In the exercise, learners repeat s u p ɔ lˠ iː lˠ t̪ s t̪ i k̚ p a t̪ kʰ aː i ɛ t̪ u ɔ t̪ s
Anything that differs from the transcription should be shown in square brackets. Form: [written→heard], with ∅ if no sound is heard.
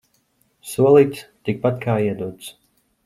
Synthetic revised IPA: s u [p→∅] ɔ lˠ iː [lˠ→∅] t̪ s t̪ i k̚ p a t̪ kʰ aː i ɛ [t̪→d̪] u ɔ t̪ s